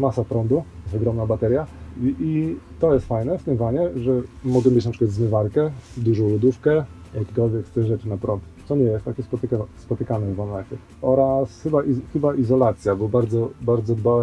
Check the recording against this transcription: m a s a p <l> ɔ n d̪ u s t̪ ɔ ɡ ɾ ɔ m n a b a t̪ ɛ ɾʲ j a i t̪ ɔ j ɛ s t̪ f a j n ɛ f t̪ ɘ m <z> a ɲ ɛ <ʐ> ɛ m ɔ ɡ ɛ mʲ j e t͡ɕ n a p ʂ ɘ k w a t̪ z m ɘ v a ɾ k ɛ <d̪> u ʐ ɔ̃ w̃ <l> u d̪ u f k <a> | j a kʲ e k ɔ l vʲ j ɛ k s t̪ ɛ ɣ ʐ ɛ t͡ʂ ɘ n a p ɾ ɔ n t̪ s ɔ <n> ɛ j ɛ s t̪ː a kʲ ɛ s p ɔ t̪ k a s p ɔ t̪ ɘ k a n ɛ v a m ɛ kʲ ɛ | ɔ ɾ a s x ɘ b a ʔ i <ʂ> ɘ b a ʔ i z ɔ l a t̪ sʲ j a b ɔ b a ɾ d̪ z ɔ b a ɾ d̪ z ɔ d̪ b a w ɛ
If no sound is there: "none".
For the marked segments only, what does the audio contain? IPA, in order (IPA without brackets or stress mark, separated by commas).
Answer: ɾ, v, ʐ, d̪, l, ɛ, ɲ, x